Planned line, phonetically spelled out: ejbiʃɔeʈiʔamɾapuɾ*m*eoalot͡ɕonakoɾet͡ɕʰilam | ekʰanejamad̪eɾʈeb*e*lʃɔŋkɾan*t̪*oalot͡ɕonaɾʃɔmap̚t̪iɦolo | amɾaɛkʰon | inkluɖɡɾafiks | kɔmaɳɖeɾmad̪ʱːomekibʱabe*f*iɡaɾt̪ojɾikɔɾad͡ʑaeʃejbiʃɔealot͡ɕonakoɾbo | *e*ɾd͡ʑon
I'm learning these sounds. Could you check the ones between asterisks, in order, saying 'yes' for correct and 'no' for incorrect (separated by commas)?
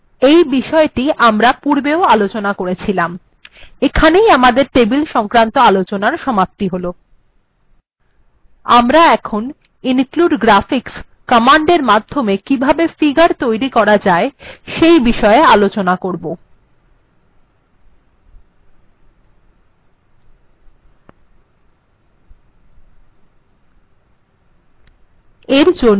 no, no, yes, yes, yes